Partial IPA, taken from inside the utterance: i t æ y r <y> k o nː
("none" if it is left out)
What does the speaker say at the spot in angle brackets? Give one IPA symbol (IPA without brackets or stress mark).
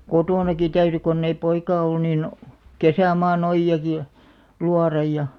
y